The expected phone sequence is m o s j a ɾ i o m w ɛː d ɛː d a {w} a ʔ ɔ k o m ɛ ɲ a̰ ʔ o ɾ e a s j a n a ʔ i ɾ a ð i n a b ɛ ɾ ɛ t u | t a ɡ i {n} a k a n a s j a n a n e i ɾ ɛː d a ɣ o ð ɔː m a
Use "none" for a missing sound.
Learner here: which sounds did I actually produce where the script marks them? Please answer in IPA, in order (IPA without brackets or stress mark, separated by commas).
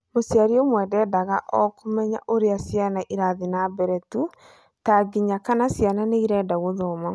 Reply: ɣ, ɲ